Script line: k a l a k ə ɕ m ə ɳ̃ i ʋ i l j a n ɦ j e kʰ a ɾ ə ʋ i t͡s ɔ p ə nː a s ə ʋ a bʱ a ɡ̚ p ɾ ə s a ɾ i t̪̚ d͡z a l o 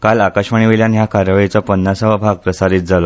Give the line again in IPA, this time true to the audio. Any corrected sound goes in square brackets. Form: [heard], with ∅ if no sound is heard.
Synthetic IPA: k a l a k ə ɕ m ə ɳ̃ i ʋ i l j a n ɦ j [a] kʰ a ɾ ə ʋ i t͡s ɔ p ə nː a s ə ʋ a bʱ a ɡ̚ p ɾ ə s a ɾ i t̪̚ d͡z a l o